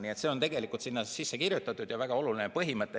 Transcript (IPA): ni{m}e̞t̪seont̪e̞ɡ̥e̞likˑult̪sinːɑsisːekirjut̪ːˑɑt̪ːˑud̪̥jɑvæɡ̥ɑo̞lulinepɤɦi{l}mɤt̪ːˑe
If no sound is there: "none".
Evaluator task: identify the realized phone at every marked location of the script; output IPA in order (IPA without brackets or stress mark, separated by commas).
none, none